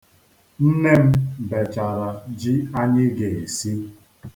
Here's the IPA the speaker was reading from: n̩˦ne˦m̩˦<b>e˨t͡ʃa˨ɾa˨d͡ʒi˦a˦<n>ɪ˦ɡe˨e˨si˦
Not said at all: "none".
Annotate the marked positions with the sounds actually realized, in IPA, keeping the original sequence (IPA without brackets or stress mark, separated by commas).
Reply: b, ɲ